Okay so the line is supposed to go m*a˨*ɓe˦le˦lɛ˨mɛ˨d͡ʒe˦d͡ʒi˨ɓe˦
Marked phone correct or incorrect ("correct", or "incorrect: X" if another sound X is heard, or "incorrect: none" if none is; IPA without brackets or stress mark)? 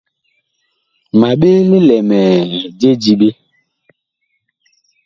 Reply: correct